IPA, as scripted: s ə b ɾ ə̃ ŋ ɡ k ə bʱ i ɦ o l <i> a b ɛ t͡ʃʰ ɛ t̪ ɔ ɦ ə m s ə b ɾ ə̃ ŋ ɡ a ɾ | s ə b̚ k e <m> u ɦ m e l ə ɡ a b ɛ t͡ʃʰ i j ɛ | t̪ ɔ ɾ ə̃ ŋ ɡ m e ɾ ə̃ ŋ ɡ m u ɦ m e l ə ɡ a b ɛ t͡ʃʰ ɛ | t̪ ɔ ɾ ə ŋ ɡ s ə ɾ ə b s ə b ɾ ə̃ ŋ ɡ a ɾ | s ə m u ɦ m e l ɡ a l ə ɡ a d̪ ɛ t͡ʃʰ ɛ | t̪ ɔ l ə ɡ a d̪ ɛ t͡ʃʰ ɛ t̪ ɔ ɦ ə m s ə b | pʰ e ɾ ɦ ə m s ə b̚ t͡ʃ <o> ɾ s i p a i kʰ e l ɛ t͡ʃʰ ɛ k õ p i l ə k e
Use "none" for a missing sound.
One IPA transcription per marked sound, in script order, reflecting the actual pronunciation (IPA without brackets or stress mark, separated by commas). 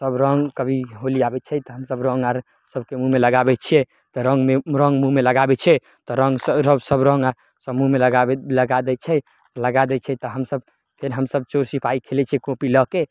i, m, o